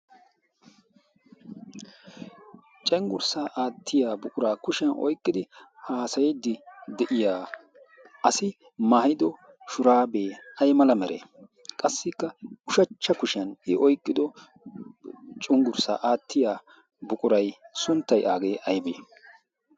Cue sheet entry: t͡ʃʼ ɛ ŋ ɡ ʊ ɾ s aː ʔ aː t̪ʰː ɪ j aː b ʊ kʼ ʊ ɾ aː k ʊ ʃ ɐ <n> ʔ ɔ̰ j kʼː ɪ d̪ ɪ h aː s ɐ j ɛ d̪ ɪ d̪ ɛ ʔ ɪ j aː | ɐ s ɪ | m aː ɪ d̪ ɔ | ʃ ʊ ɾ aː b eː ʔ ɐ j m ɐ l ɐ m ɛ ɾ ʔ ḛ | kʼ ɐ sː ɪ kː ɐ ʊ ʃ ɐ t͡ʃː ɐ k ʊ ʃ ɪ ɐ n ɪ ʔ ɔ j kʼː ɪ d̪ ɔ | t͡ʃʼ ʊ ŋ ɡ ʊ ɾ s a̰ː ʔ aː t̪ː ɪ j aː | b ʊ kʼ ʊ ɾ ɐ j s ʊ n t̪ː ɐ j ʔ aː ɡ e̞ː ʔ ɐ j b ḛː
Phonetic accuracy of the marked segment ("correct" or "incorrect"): correct